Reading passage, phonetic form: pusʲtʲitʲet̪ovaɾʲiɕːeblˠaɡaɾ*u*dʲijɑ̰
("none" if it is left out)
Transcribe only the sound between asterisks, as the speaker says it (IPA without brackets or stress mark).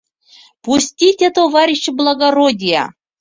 o